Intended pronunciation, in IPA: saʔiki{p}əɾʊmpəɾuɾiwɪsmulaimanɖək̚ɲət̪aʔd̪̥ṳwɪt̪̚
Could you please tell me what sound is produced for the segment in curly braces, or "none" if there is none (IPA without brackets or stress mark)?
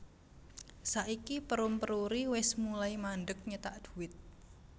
p